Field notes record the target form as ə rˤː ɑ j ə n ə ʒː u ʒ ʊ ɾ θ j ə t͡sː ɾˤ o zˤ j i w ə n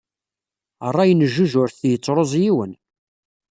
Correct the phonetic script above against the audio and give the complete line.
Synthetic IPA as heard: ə rˤː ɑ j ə n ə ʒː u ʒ ʊ ɾ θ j ə t͡sː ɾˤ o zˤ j i w ə n